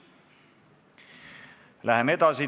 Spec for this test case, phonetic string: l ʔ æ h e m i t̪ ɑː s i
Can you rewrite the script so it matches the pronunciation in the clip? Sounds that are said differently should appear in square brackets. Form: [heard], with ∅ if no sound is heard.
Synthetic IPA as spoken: l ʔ æ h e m [e] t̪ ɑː s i